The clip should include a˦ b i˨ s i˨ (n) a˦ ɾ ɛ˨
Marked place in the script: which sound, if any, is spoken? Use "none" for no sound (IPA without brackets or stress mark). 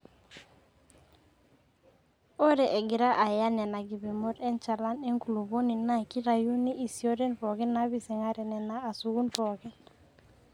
ŋ